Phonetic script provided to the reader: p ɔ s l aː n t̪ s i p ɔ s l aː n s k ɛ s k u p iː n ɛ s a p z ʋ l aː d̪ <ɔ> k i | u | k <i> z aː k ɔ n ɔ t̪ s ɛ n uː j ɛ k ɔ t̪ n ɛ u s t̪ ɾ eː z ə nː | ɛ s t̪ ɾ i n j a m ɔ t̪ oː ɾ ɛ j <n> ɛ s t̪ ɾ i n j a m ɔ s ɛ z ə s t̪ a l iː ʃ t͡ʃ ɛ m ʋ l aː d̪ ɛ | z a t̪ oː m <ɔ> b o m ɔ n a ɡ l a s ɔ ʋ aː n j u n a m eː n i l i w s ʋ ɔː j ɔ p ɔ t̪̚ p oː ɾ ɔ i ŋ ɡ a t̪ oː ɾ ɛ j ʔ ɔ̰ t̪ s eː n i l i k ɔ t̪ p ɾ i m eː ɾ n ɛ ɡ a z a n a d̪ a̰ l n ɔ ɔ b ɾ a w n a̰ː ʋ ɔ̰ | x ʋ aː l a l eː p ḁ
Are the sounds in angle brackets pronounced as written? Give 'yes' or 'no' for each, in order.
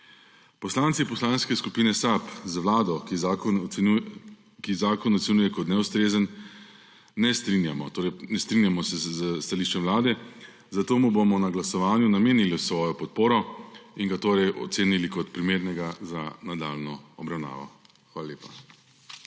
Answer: yes, yes, yes, no

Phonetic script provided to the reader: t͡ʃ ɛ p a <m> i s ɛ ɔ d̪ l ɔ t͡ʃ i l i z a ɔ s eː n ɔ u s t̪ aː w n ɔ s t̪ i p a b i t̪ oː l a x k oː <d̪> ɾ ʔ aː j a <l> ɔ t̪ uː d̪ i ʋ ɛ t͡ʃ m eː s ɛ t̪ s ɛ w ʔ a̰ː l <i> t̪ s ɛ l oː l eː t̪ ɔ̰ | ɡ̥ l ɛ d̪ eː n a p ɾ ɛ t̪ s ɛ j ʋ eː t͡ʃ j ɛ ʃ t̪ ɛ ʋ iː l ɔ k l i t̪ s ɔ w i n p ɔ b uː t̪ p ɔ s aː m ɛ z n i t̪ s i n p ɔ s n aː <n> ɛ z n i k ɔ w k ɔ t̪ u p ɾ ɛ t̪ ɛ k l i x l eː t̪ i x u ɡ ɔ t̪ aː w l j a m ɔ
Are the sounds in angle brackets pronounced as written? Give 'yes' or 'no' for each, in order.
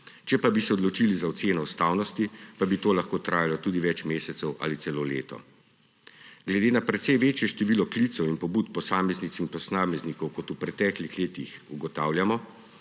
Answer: no, no, yes, yes, no

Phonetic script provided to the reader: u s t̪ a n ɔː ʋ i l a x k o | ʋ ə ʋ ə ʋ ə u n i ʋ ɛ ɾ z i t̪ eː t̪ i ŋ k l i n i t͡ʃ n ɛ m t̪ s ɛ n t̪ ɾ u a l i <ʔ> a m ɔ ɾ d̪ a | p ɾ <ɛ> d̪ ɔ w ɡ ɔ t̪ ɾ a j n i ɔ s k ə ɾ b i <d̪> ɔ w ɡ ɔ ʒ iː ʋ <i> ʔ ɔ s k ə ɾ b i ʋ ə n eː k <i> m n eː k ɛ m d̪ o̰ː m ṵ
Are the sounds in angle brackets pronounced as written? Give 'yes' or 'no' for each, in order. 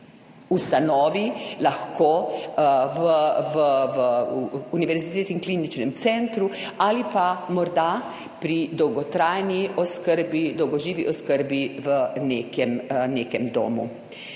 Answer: no, no, yes, yes, no

